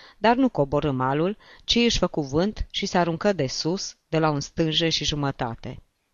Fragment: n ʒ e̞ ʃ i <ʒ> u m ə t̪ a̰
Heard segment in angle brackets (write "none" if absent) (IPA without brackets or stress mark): ʒ